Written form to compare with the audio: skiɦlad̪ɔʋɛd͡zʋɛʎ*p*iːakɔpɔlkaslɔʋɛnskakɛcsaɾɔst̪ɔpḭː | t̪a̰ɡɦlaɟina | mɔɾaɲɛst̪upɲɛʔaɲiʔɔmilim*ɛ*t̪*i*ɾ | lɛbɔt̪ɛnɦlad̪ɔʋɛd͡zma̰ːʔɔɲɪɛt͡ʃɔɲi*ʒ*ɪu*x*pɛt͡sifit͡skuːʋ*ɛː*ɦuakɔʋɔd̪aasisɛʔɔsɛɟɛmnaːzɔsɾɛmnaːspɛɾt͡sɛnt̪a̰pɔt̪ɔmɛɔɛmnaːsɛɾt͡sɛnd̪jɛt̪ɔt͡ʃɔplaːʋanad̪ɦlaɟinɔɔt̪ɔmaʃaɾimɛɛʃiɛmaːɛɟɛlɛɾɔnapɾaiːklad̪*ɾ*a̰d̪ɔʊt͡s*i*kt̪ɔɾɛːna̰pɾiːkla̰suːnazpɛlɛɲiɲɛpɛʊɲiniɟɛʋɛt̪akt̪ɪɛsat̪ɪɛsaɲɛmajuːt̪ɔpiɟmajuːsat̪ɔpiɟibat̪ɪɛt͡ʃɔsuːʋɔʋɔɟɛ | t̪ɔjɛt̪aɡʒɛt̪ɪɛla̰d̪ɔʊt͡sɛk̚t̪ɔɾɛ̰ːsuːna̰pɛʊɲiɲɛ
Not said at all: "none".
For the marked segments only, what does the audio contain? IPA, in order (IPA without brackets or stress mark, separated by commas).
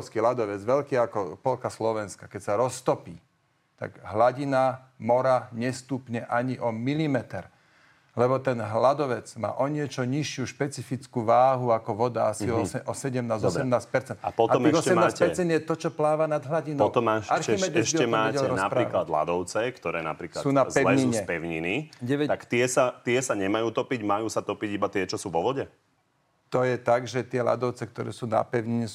k, ɛ, ɛ, ʃ, ʃ, aː, l, ɛ